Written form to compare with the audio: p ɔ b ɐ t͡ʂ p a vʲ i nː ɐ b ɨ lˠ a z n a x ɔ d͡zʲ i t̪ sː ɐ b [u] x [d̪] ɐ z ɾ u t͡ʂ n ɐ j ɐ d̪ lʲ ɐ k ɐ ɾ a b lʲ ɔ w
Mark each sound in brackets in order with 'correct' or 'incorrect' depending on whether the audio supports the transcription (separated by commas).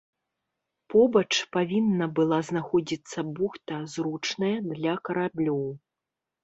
correct, incorrect